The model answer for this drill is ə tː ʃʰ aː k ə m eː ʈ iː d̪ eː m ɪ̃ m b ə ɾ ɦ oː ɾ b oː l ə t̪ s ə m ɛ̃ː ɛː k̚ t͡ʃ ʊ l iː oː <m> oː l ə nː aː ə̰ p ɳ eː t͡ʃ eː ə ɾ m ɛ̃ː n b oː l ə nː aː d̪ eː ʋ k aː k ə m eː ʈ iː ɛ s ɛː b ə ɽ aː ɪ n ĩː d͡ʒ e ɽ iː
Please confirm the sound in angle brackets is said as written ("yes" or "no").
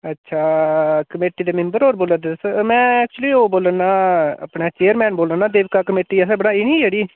no